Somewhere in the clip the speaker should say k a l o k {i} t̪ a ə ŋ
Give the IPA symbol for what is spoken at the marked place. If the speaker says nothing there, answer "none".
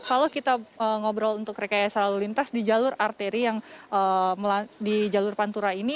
i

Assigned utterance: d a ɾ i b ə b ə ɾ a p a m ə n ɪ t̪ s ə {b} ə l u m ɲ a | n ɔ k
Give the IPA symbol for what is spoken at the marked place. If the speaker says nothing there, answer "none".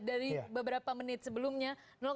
b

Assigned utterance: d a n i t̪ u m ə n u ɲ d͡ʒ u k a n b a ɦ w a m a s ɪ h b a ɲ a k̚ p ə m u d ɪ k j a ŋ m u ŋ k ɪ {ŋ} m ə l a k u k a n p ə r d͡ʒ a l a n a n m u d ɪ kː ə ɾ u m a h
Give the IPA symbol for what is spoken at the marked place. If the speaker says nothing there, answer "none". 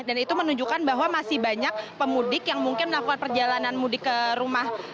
n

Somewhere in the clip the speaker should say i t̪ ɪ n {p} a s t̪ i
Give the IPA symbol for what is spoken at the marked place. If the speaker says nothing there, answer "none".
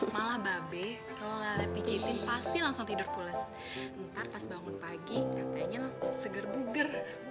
p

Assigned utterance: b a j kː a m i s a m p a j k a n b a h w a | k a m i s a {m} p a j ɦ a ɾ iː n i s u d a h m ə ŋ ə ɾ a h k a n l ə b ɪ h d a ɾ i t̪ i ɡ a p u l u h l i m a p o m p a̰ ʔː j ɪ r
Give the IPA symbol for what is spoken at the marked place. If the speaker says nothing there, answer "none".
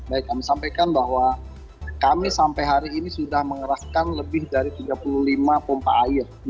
m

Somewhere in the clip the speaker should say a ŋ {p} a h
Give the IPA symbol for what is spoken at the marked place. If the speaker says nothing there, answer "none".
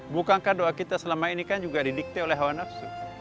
k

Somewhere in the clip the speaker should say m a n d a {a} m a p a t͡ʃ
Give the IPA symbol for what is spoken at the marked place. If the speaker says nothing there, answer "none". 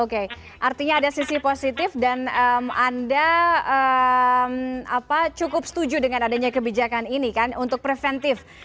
ə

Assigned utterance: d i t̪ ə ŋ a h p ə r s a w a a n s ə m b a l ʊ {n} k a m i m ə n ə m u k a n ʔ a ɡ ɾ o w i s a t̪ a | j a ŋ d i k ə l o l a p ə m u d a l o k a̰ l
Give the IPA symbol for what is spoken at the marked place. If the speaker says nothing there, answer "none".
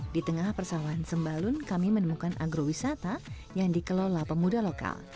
n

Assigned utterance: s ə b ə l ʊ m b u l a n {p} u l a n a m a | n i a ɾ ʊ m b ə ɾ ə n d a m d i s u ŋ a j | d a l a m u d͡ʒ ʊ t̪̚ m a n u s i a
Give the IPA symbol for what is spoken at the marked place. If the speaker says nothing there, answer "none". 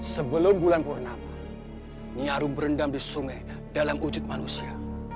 p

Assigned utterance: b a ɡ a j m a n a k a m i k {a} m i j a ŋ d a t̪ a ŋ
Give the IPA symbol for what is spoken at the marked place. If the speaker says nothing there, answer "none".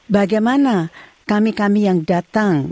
a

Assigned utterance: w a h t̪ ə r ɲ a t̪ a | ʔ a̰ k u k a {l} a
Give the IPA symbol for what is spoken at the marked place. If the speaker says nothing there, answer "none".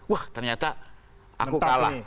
l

